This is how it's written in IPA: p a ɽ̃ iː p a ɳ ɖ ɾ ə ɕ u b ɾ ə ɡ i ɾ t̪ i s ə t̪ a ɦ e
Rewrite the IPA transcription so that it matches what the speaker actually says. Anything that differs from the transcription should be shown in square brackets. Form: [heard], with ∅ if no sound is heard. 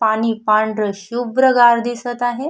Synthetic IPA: p a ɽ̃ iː p a ɳ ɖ ɾ ə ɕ u b ɾ ə ɡ [a] ɾ [d̪] i s ə t̪ a ɦ e